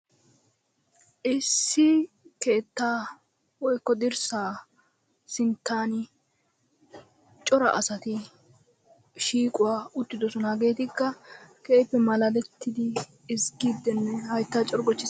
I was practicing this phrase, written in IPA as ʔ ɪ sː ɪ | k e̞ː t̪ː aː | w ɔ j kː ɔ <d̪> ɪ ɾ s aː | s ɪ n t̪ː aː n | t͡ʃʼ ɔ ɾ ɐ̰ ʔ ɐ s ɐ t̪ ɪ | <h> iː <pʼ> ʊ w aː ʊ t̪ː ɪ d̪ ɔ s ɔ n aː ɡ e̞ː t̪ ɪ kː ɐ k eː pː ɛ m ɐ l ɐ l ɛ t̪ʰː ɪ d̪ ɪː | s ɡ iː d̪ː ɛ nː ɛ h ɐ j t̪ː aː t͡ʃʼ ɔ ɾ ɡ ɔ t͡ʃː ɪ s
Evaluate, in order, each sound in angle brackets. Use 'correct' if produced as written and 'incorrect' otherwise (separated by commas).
correct, incorrect, incorrect